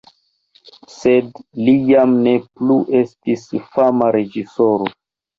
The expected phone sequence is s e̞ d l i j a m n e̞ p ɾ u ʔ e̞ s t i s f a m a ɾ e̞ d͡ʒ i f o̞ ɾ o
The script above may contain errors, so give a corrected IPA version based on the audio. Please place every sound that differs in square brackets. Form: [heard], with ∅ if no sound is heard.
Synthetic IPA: s e̞ d l i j a m n e̞ p [l] u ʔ e̞ s t i s f a m a ɾ e̞ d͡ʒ i [s] o̞ ɾ o